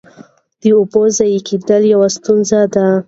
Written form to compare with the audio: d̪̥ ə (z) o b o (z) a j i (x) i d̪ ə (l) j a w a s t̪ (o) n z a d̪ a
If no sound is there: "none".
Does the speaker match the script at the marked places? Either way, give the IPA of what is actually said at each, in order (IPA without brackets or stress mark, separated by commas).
none, z, k, l, u